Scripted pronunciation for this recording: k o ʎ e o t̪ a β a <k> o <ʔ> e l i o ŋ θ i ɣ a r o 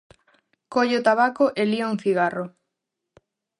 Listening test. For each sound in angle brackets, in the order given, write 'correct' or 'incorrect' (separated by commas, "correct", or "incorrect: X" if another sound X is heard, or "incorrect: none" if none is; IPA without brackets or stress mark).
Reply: correct, correct